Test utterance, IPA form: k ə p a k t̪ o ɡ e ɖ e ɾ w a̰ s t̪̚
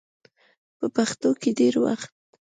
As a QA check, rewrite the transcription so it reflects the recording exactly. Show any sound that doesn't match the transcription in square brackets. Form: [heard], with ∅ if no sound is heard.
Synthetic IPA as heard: [p] ə p a [x] t̪ o [k] e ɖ e ɾ w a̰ [x] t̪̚